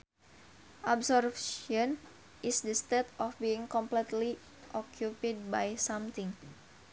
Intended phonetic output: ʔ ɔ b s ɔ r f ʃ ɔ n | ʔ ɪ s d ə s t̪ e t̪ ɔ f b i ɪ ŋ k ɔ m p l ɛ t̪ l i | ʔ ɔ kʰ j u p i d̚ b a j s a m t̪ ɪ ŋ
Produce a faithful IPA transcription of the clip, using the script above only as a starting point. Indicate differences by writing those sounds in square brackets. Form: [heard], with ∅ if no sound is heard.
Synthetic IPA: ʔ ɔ b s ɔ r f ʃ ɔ n | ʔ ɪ s d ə s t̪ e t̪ ɔ f b i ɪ ŋ k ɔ m p l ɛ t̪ l i | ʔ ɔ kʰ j u p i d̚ b a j s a m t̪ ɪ ŋ